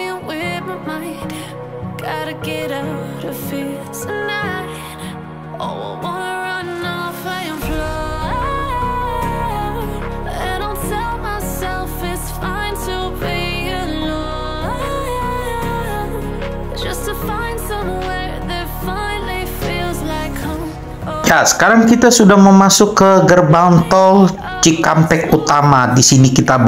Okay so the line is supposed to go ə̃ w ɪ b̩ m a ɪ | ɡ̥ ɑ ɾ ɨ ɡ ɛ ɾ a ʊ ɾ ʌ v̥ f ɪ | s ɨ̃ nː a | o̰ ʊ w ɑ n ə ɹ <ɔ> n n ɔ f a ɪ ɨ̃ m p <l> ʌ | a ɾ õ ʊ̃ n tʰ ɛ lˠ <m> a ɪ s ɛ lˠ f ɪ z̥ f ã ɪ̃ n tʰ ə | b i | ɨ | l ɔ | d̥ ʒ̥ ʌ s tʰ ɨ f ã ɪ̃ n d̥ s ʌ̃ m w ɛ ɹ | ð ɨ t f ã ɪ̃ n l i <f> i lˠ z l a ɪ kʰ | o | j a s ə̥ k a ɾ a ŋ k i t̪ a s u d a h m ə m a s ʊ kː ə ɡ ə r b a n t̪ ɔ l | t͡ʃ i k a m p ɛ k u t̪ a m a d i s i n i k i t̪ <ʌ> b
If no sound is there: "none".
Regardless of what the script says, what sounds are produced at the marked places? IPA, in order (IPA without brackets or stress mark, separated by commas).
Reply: ʌ, l, m, f, a